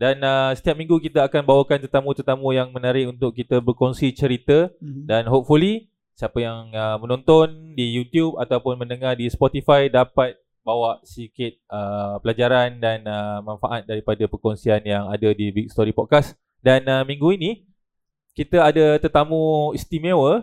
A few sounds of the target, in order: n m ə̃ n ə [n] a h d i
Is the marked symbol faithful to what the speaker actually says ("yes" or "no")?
no